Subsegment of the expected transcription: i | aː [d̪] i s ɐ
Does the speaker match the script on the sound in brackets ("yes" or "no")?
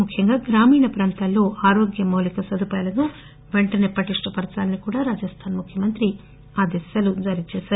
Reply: yes